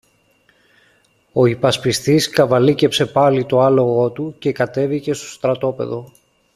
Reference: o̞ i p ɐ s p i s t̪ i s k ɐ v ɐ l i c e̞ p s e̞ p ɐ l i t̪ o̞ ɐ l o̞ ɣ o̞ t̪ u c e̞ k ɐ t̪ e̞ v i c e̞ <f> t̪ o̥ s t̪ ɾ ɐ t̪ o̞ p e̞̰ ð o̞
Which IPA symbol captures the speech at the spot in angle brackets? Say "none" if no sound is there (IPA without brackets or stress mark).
s